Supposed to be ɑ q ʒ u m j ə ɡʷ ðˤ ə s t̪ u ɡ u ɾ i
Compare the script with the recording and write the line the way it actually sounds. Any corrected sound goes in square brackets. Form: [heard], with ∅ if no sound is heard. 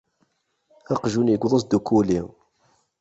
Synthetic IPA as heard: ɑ q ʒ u [n] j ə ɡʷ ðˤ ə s [d̪] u [k] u [l] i